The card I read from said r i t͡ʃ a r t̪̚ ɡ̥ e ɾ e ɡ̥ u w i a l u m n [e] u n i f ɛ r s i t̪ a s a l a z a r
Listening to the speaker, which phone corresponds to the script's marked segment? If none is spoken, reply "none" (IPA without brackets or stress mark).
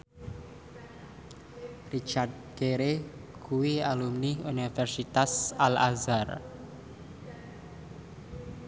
i